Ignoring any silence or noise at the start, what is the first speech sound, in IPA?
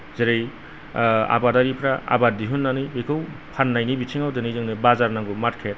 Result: z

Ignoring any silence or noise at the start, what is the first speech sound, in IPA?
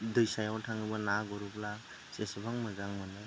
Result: d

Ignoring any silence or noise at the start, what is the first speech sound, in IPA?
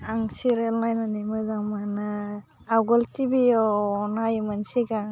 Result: a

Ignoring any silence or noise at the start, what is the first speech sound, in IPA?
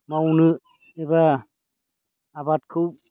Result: m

